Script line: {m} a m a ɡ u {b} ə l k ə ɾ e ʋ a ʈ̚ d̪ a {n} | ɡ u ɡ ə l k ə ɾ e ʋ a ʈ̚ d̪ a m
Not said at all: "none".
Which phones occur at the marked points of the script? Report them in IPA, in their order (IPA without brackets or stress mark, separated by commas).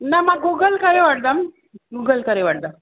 n, ɡ, m